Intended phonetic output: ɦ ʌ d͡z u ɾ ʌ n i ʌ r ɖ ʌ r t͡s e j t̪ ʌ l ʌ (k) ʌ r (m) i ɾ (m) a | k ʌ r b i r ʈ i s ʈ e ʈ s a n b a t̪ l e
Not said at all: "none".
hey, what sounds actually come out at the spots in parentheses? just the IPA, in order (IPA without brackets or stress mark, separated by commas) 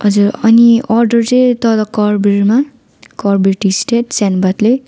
k, b, m